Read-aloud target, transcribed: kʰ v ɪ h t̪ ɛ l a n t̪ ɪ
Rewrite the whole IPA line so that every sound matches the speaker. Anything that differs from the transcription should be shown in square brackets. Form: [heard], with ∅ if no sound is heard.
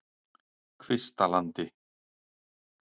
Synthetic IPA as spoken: kʰ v ɪ [s] t̪ [a] l a n t̪ ɪ